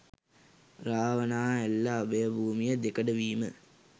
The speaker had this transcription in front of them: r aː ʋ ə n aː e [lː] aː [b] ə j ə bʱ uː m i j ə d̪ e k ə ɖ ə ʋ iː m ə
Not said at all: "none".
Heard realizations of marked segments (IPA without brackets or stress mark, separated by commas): lː, b